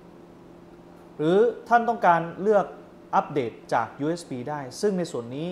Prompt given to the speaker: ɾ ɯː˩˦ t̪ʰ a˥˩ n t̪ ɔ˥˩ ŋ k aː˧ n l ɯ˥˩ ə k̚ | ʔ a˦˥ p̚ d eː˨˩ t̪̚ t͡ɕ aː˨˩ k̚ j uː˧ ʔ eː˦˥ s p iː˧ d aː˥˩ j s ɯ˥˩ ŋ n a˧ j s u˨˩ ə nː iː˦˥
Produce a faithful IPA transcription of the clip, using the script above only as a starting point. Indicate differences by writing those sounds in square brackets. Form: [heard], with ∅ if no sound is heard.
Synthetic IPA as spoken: ɾ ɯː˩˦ t̪ʰ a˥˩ n t̪ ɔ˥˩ ŋ k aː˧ n l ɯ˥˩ ə k̚ | ʔ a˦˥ p̚ d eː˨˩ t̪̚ t͡ɕ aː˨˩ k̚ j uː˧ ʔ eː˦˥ s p iː˧ d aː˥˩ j s ɯ˥˩ ŋ n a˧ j s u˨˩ ə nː iː˦˥

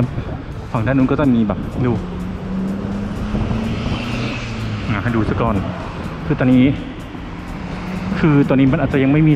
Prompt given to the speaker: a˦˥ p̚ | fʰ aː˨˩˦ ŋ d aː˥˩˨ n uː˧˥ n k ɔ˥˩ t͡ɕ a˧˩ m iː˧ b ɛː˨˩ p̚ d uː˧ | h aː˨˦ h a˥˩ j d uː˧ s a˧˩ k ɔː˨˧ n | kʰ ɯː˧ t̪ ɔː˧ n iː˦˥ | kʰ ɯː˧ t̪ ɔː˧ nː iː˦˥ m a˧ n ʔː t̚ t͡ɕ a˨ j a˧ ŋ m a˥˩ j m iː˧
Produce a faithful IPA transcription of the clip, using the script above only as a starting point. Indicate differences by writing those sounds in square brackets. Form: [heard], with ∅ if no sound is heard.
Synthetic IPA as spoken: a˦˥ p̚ | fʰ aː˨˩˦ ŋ d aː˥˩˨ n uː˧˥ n k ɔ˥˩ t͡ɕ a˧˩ m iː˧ b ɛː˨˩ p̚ d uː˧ | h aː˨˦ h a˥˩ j d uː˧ s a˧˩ k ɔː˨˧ n | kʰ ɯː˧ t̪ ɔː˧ n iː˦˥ | kʰ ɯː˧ t̪ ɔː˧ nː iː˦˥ m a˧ n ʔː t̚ t͡ɕ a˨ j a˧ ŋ m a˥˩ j m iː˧

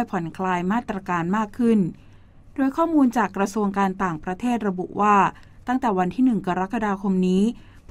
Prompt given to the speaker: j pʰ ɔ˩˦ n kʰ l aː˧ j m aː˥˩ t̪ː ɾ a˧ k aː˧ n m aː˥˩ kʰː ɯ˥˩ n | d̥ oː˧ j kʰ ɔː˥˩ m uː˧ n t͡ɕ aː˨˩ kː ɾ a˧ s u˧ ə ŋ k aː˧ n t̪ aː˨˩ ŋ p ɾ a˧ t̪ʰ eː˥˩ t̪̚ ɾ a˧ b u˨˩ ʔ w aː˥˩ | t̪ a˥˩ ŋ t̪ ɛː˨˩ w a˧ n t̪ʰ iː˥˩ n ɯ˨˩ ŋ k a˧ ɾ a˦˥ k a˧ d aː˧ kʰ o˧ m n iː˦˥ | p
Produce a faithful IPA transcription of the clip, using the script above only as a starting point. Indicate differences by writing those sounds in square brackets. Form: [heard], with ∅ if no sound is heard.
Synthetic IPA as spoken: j pʰ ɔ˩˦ n kʰ l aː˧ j m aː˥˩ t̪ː ɾ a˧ k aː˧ n m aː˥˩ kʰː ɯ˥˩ n | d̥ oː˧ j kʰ ɔː˥˩ m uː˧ n t͡ɕ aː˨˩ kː ɾ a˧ s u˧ ə ŋ k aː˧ n t̪ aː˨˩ ŋ p ɾ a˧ t̪ʰ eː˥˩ t̪̚ ɾ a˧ b u˨˩ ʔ w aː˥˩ | t̪ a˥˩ ŋ t̪ ɛː˨˩ w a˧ n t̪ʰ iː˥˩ n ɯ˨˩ ŋ k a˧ ɾ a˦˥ k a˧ d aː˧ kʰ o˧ m n iː˦˥ | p

